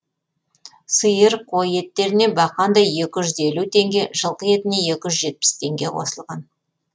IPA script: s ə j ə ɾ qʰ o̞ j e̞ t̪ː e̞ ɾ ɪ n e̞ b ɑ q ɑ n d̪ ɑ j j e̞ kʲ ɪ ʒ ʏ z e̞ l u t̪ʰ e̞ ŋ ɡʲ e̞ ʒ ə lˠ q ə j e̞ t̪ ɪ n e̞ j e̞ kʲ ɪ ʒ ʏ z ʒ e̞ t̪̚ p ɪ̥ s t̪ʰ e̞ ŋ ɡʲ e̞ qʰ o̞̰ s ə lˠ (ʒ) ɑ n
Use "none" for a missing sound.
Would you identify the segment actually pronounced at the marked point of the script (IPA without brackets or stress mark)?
ʁ